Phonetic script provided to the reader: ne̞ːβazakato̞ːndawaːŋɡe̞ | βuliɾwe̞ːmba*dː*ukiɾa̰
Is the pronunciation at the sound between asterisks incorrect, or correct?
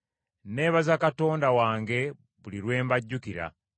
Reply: incorrect